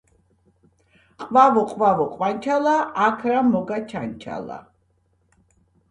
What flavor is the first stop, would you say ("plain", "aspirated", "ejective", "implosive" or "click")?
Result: ejective